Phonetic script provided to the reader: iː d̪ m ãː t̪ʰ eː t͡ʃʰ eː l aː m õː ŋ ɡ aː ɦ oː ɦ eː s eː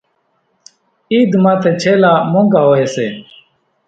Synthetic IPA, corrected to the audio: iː d̪ m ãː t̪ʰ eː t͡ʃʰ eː l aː m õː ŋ ɡ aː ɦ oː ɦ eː s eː